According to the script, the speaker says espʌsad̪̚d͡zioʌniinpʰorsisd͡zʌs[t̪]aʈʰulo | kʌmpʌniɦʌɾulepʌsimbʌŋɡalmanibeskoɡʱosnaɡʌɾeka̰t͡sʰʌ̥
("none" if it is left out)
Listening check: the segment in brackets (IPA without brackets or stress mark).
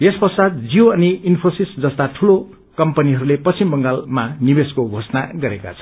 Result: t̪